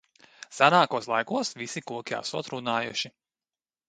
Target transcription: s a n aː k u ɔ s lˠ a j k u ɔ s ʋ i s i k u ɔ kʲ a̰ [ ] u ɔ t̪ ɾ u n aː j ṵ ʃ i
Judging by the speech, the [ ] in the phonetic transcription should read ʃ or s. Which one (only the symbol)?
s